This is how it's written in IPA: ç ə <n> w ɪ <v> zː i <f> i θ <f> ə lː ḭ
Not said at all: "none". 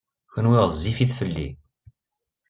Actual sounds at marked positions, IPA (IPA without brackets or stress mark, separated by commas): n, ʁ, f, f